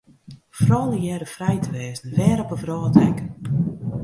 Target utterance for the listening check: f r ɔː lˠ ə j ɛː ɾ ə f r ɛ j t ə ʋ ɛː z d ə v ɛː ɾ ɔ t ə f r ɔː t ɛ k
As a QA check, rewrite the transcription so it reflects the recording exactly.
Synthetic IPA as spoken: f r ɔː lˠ ə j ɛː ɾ ə f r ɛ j t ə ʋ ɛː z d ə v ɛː ɾ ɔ p ə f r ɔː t ɛ k